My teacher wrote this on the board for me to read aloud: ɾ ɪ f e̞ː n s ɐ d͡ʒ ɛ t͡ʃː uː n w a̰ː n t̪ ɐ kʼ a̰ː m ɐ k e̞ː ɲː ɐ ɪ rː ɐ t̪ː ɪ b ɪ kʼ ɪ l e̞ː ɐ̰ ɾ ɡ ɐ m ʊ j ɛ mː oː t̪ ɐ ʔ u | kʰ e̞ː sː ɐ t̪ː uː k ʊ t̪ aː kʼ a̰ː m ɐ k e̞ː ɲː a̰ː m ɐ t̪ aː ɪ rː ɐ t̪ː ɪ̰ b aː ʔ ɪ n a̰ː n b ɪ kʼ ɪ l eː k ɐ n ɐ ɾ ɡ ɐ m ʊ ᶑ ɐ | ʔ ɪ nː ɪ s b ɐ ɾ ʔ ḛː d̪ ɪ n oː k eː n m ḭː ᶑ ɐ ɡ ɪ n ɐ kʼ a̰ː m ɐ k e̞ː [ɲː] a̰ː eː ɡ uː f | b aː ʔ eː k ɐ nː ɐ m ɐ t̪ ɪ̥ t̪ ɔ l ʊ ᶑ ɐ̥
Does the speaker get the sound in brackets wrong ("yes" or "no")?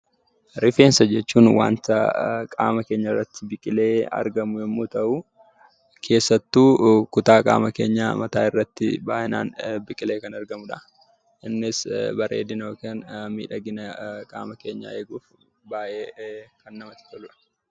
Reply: no